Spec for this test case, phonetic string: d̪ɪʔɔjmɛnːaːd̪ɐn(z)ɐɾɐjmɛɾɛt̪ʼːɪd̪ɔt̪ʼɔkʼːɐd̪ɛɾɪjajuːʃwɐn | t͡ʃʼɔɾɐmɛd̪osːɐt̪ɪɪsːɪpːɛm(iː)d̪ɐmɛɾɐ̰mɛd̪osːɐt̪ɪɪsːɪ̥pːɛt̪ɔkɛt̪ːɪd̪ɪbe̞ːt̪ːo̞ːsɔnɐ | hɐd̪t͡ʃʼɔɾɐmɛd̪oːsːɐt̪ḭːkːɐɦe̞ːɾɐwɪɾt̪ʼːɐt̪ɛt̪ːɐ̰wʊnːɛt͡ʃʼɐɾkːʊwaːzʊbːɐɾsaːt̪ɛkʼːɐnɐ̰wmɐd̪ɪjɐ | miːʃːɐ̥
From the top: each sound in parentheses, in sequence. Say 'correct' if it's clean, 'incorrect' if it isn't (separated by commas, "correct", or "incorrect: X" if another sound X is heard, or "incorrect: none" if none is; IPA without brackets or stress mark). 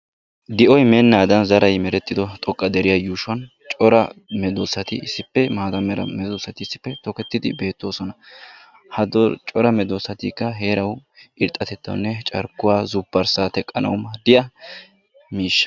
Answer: correct, incorrect: aː